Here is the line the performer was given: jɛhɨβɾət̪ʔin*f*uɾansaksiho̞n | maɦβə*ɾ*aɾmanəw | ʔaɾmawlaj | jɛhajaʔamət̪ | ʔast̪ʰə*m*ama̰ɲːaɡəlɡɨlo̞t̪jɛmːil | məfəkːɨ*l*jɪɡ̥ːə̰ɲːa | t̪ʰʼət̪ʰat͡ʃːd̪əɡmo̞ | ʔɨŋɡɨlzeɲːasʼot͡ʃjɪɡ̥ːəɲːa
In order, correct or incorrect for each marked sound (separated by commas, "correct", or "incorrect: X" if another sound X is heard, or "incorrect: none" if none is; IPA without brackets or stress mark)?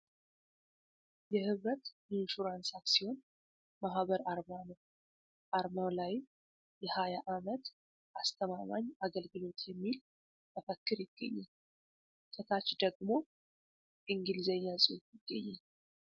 incorrect: ʃ, correct, correct, incorrect: ɾ